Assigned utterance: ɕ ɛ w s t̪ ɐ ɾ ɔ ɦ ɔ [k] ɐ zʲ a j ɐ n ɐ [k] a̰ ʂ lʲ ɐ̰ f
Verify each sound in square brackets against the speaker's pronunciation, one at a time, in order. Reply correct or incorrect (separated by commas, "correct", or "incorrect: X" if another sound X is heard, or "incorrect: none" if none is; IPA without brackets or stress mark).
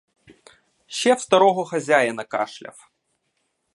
incorrect: x, correct